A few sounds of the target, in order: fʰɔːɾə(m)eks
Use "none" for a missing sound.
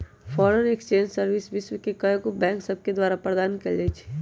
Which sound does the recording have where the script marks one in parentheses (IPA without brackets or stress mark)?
n